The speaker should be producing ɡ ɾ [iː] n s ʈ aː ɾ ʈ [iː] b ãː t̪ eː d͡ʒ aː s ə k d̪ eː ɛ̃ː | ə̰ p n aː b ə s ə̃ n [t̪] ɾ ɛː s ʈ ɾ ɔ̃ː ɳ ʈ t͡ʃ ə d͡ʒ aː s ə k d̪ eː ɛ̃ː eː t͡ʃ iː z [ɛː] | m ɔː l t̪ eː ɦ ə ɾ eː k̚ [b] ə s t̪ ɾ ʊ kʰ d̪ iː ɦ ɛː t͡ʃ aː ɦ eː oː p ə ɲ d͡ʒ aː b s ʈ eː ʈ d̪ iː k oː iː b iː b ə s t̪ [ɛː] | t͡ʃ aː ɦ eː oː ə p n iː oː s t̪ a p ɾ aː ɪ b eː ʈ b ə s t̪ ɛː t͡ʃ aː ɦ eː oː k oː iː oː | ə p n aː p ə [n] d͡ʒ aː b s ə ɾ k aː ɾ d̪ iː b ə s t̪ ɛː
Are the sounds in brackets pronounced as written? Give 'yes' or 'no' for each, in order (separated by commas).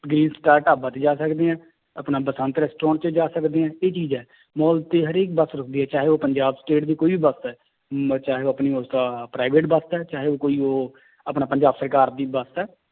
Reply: yes, no, yes, yes, yes, yes, no